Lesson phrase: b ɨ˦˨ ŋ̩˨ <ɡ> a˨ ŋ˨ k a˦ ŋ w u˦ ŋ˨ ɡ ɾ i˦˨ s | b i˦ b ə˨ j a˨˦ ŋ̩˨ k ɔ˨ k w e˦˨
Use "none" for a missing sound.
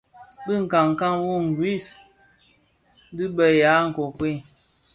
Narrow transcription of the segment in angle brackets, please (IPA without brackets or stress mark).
k